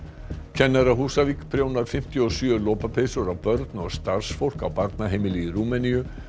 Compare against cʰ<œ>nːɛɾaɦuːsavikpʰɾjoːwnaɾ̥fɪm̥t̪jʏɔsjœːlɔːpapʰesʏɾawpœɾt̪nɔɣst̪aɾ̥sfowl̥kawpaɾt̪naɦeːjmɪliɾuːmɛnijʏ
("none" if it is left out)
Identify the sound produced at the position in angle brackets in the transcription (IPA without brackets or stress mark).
ɛ